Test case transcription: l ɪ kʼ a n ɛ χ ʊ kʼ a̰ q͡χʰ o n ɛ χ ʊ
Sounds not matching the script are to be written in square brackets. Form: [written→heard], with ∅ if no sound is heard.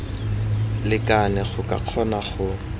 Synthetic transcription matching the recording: l ɪ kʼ a n ɛ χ ʊ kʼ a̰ q͡χʰ [o→ɔ] n [ɛ→a] χ ʊ